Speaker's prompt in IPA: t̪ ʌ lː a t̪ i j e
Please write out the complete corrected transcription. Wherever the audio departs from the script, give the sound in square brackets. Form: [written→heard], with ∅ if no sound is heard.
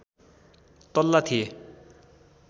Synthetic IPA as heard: t̪ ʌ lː a [t̪→t̪ʰ] i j e